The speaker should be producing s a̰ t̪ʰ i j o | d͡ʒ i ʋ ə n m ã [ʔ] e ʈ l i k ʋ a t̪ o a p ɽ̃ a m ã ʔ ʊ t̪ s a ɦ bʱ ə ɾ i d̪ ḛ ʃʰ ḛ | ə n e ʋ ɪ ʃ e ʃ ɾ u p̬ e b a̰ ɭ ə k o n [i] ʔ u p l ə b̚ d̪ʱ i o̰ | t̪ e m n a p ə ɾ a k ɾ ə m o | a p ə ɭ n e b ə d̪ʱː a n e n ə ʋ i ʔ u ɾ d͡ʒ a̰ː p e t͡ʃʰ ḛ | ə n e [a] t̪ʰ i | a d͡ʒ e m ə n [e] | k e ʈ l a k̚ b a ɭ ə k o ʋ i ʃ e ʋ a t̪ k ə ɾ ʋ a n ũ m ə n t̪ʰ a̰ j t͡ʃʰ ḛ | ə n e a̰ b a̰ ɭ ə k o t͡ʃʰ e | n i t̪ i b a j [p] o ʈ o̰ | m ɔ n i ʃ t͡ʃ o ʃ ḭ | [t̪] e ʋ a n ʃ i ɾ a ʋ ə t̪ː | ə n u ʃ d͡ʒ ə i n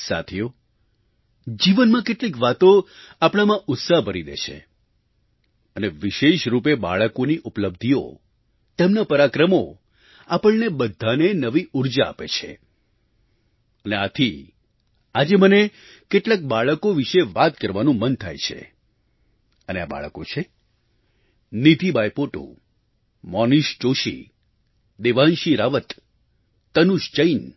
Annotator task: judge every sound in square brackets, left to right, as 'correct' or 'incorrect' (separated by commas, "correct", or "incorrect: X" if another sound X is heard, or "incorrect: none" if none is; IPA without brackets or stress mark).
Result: incorrect: k, correct, correct, correct, correct, incorrect: d̪